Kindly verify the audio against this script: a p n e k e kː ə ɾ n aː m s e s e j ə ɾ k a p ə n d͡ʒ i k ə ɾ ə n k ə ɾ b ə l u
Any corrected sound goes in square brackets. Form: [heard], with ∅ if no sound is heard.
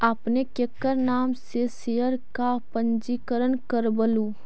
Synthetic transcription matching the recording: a p n e k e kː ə ɾ n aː m s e s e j ə ɾ k a p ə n d͡ʒ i k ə ɾ ə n k ə ɾ b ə l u

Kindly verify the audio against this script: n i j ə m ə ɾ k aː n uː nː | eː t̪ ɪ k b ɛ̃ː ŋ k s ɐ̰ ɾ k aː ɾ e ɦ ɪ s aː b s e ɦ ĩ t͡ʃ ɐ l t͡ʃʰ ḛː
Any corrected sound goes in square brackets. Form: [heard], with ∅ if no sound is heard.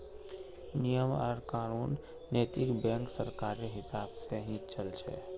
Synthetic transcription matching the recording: n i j ə m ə ɾ k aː n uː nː | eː t̪ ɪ k b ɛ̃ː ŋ k s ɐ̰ ɾ k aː ɾ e ɦ ɪ s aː b s e ɦ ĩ t͡ʃ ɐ l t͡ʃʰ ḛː

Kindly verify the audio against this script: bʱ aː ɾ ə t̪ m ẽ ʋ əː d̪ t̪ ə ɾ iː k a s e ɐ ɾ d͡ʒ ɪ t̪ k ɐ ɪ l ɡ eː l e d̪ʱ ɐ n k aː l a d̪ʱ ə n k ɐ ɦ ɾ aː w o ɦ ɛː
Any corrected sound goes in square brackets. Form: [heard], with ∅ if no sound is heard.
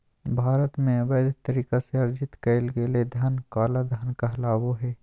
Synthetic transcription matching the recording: bʱ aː ɾ ə t̪ m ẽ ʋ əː d̪ t̪ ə ɾ iː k a s e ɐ ɾ d͡ʒ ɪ t̪ k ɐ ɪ l ɡ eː l e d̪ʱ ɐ n k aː l a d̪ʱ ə n k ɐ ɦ [l] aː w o ɦ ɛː

